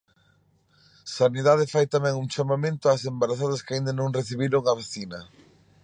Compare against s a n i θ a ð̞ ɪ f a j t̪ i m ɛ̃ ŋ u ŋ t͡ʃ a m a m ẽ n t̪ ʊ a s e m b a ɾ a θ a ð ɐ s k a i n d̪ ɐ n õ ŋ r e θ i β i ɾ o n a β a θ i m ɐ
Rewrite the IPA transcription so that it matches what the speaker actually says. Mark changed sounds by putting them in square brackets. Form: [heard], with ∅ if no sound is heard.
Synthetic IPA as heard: s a n i [ð] a ð̞ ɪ f a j t̪ [a] m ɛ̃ ŋ u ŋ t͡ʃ a m a m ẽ n t̪ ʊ a s e m b a ɾ a θ a ð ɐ s k a i n d̪ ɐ n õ ŋ r e θ i β i ɾ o [ŋ] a β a θ i [n] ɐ